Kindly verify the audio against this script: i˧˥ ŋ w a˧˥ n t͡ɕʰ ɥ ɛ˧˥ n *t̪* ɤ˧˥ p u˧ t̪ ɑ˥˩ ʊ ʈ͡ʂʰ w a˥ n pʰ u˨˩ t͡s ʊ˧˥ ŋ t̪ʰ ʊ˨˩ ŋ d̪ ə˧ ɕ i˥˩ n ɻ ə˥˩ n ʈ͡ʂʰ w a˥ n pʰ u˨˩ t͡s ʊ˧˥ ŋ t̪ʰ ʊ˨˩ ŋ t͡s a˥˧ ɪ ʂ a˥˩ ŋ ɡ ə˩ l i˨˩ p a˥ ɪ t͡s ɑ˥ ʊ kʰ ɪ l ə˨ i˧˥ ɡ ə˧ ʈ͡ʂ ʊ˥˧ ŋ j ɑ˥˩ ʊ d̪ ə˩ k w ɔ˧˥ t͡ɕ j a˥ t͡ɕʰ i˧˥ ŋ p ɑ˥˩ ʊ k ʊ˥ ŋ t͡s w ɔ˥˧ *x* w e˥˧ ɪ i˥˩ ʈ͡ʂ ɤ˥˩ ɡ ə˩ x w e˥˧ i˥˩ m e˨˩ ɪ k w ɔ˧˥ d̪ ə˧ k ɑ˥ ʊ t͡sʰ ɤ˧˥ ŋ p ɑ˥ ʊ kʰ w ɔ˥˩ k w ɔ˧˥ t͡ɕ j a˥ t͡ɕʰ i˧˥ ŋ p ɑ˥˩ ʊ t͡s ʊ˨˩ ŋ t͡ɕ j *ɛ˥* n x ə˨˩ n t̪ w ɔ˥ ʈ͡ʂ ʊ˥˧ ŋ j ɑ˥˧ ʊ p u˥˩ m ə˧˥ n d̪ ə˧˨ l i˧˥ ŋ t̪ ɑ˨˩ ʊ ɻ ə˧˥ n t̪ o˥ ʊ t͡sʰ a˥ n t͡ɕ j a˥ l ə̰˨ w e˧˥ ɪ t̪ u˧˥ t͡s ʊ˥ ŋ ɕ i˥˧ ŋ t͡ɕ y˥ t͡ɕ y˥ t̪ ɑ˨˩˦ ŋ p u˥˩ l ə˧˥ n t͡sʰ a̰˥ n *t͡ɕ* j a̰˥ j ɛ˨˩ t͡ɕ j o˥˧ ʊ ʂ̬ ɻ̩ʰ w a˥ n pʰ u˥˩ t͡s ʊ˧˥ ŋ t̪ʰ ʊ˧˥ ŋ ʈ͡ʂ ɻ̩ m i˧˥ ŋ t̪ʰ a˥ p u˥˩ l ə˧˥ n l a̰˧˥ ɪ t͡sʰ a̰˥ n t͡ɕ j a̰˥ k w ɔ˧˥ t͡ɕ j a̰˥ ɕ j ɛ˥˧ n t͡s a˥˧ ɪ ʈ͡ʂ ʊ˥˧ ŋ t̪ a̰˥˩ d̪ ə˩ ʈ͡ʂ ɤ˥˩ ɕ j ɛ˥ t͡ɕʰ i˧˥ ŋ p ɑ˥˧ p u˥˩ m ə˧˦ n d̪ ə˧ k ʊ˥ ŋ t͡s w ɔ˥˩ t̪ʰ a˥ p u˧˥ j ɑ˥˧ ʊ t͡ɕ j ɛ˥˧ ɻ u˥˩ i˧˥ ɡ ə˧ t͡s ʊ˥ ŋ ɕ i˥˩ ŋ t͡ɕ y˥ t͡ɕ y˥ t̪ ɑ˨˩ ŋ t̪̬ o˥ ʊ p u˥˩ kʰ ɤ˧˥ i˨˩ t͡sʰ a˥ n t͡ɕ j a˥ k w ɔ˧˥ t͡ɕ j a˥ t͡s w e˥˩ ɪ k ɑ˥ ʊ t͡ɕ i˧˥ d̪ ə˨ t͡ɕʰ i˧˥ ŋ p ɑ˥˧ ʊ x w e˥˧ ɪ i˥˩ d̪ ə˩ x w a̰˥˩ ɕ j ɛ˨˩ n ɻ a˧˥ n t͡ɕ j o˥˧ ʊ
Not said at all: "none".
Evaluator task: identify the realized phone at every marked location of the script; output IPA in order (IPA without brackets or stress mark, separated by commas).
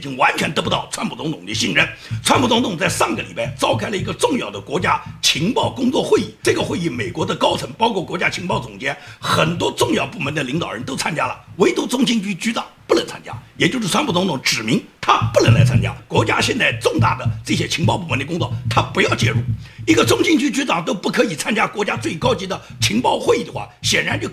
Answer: t̪, x, ɛ˥, t͡ɕ